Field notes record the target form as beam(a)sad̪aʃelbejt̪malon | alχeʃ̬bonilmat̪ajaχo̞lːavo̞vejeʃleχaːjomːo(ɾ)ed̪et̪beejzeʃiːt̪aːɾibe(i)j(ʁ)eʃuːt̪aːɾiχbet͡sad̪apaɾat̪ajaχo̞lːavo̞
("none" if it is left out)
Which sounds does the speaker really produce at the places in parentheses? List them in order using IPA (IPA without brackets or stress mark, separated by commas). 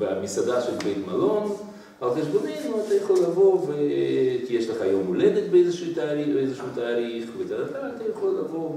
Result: i, l, e, z